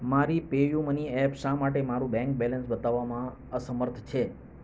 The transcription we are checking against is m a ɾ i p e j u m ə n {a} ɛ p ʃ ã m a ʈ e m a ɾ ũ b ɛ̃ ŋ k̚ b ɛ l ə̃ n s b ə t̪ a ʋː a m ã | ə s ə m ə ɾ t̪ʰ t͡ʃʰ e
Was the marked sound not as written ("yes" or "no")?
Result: yes